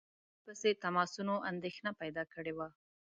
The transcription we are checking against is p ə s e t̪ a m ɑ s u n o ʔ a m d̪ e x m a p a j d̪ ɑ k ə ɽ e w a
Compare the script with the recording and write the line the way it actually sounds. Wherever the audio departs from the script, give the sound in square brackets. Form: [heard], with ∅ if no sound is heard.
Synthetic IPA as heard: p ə s e t̪ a m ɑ s u n o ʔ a [n] d̪ e x [n] a p a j d̪ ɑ k ə ɽ e w a